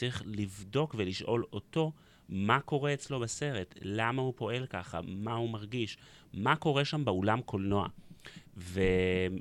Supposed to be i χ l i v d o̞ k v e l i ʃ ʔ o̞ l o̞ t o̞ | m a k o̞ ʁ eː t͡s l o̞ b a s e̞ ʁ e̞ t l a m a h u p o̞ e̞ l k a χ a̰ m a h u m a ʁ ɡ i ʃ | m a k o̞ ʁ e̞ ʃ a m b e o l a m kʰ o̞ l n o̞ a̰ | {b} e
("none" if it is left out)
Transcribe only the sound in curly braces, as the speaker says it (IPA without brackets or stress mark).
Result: v